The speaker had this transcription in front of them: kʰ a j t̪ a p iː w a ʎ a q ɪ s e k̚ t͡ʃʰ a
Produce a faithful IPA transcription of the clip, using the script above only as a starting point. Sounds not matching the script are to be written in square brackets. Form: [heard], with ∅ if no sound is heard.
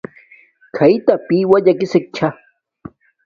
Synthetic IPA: kʰ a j t̪ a p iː w a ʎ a [k] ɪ s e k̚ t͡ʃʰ a